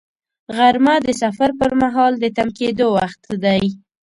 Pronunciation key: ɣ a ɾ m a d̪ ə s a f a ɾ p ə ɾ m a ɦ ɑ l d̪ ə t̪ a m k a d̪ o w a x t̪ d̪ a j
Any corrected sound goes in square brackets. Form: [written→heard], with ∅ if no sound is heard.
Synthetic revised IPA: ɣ a ɾ m a d̪ ə s a f a ɾ p ə ɾ m a ɦ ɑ l d̪ ə t̪ a m k [a→e] d̪ o w a x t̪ d̪ a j